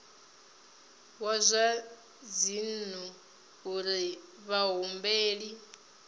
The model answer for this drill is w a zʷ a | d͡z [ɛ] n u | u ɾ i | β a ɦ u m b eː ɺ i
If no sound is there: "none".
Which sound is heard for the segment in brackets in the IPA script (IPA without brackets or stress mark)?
i